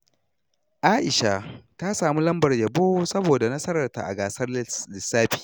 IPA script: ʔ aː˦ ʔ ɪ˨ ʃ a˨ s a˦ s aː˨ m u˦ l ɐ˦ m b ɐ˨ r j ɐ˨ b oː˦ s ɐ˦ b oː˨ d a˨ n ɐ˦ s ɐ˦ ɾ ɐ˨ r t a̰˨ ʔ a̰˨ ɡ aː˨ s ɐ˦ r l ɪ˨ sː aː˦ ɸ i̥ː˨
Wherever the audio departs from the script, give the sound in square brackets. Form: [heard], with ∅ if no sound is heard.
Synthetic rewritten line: ʔ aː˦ ʔ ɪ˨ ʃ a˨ [t] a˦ s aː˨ m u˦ l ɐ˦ m b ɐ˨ r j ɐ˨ b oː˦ s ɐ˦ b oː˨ d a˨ n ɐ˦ s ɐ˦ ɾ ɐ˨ r t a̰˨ ʔ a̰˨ ɡ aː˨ s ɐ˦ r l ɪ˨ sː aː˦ ɸ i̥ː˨